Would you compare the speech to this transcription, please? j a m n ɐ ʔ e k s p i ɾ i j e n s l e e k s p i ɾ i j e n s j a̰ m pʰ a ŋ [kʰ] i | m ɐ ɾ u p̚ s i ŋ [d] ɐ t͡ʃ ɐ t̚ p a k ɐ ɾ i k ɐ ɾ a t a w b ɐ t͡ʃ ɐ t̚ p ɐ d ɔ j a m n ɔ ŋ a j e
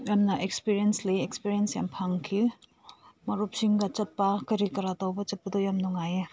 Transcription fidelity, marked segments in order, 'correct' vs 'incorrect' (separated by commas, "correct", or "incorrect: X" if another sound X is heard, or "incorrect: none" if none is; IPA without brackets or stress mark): correct, incorrect: ɡ